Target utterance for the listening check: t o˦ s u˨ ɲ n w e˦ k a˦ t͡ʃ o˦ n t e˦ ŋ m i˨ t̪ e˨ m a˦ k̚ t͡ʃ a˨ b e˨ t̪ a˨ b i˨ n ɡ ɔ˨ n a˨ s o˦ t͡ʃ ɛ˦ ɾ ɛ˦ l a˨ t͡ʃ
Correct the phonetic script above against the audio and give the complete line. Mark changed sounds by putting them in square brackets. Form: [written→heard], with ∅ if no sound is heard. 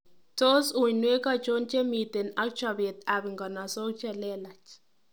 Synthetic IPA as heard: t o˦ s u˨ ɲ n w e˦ k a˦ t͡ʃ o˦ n [t→t͡ʃ] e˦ [ŋ→∅] m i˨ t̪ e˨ [m→n] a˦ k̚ t͡ʃ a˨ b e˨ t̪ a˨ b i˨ [n→ŋ] ɡ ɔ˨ n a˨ s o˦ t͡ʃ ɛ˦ [ɾ→l] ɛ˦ l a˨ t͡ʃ